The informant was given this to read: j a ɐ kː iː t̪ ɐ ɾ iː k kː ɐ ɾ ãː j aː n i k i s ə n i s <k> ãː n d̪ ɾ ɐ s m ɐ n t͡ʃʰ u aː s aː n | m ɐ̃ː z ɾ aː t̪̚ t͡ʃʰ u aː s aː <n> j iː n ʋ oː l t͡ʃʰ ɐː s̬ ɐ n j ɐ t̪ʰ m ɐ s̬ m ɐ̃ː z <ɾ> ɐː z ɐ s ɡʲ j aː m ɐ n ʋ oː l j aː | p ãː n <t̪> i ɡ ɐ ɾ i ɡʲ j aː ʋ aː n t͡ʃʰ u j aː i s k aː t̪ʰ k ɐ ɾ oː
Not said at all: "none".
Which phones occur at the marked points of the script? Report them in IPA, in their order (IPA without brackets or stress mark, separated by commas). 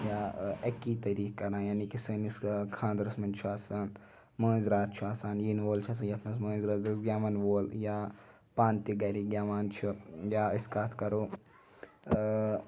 kʰ, n, ɾ, t̪